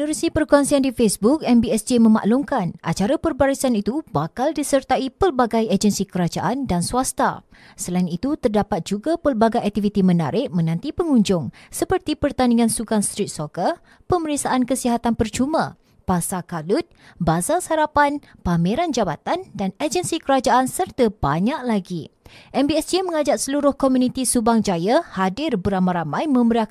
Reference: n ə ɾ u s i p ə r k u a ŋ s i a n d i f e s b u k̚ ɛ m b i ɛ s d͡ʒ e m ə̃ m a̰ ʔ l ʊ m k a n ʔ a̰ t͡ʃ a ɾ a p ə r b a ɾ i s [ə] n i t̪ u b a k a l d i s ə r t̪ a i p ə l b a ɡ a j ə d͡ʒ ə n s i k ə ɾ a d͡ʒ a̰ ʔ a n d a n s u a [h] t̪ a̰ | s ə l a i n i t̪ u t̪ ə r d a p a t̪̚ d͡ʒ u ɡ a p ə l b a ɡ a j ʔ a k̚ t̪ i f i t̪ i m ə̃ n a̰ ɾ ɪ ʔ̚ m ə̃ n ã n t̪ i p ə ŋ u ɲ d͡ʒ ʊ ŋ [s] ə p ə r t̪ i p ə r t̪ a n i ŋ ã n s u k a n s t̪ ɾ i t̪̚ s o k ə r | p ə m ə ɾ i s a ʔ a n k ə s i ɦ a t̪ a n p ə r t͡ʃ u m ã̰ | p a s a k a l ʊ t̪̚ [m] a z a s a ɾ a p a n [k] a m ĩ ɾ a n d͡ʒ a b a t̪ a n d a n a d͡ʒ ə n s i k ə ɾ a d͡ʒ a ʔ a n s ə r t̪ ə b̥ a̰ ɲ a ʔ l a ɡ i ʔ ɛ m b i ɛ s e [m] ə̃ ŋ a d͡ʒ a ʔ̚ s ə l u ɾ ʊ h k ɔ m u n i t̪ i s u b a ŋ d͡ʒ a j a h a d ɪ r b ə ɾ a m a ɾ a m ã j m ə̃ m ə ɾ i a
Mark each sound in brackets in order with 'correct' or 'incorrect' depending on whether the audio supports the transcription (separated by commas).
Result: incorrect, incorrect, correct, incorrect, incorrect, correct